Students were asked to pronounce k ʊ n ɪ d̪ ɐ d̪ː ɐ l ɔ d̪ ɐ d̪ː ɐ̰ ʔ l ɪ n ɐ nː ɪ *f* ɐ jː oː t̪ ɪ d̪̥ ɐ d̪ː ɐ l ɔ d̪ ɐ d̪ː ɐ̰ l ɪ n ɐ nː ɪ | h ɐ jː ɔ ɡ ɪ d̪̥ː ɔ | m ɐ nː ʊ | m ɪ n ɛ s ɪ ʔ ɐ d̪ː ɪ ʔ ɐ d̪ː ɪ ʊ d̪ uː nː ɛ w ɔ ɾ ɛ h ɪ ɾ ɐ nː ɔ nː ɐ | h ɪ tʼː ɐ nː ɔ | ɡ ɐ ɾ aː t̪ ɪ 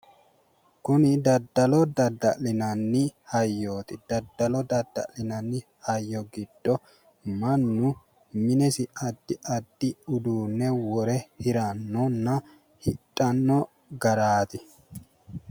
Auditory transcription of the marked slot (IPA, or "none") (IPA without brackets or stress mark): h